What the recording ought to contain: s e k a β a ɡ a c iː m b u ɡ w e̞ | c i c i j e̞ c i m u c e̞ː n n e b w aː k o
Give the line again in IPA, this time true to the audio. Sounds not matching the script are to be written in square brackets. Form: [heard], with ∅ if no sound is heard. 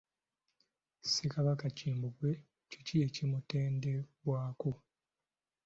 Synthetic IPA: s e k a β a [k] a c iː m b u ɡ w e̞ | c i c i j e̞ c i m u [t] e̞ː n [d] e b w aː k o